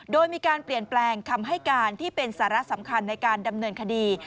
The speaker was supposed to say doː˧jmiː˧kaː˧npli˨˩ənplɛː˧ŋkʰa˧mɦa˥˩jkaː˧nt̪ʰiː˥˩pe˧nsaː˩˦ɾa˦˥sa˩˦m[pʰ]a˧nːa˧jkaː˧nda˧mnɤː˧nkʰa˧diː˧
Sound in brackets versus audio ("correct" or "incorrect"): incorrect